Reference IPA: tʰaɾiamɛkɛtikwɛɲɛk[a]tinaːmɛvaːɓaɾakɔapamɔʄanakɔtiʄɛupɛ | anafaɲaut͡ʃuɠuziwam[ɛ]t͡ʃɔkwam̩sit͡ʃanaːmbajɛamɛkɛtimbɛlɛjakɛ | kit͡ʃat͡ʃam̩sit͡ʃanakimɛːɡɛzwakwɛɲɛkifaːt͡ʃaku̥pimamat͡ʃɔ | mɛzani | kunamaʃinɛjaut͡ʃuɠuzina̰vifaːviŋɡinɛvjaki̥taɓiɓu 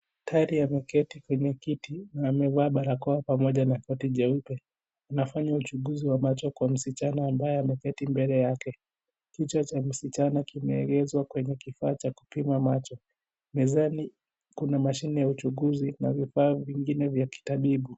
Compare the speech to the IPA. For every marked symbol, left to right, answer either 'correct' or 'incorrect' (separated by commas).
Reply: incorrect, incorrect